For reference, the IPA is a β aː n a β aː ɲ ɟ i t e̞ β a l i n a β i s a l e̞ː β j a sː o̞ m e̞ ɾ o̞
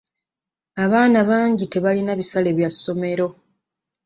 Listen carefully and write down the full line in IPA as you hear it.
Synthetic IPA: a β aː n a β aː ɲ ɟ i t e̞ β a l i n a β i s a l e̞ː β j a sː o̞ m e̞ ɾ o̞